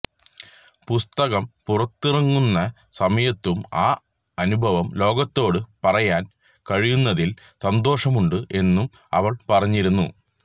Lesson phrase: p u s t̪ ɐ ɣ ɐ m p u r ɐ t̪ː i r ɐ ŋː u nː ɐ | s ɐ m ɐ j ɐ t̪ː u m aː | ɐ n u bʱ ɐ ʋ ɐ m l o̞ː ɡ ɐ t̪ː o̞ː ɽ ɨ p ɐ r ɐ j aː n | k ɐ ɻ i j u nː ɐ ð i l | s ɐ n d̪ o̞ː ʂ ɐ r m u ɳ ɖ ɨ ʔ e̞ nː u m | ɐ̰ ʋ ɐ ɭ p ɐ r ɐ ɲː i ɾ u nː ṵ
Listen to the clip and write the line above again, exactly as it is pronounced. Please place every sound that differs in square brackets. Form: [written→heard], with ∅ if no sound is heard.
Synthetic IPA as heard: p u s t̪ ɐ ɣ ɐ m p u r ɐ t̪ː i r ɐ ŋː u nː ɐ | s ɐ m ɐ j ɐ t̪ː u m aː | ɐ n u bʱ ɐ ʋ ɐ m l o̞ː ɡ ɐ t̪ː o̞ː ɽ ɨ p ɐ r ɐ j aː n | k ɐ ɻ i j u nː ɐ ð i l | s ɐ n d̪ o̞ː ʂ ɐ [r→∅] m u ɳ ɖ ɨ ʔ e̞ nː u m | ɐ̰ ʋ ɐ ɭ p ɐ r ɐ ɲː i ɾ u nː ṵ